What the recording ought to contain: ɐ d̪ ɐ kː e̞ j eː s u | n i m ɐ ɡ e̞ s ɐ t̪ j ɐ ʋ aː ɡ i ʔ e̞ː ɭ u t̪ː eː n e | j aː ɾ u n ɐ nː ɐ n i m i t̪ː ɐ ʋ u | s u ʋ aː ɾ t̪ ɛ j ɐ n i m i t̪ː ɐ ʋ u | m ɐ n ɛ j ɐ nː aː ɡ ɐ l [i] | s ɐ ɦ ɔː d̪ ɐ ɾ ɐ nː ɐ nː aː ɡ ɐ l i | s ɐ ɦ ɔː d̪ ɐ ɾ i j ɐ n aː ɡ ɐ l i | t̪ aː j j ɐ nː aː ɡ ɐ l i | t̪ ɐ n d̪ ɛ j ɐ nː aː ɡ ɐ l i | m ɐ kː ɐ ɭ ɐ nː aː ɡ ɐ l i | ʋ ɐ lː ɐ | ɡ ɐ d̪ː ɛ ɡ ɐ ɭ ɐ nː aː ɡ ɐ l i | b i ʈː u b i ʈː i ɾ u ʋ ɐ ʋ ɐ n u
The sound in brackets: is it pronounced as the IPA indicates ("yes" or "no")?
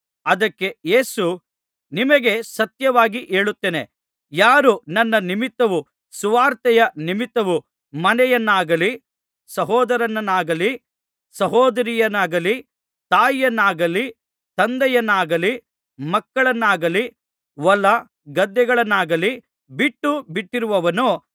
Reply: yes